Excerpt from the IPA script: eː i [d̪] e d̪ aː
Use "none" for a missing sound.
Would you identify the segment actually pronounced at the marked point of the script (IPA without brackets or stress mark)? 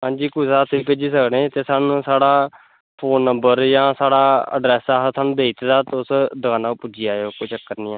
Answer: t̪